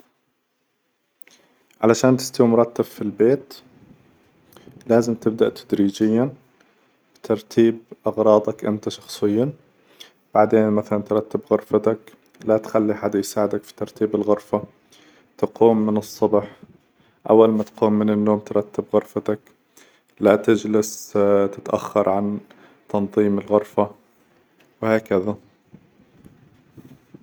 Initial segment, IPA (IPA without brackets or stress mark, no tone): ʕ